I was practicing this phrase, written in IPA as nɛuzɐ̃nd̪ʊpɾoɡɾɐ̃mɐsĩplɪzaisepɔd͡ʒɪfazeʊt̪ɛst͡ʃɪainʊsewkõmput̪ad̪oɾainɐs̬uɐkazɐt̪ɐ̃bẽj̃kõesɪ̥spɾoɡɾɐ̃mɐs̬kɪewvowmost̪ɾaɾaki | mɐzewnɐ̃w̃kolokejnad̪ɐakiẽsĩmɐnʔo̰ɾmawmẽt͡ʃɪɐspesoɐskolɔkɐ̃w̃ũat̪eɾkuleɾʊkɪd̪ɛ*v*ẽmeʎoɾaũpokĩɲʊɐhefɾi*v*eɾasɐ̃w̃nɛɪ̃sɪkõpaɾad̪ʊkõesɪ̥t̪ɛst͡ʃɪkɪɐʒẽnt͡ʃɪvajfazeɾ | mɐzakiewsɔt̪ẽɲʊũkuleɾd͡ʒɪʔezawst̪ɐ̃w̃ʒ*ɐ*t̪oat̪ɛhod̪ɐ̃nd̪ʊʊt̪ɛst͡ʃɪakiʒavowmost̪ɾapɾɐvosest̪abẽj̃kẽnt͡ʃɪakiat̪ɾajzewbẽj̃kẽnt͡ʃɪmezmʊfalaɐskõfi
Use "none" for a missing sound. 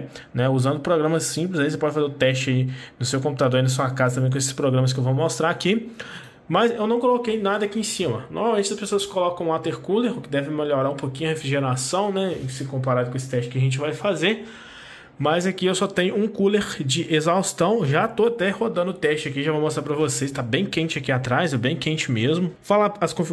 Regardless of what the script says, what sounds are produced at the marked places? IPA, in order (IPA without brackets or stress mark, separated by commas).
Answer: v, ʒ, a